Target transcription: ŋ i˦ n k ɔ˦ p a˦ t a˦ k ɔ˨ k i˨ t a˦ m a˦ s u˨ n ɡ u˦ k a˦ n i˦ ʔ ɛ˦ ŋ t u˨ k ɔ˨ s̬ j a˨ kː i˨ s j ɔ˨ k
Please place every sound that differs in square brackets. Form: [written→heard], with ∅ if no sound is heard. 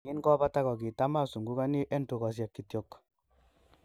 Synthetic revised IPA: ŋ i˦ n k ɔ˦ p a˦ t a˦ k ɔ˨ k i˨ t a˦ m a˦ s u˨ [n→ŋ] ɡ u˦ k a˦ n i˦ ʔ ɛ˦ [ŋ→n] t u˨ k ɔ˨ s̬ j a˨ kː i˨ [s→t] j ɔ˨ k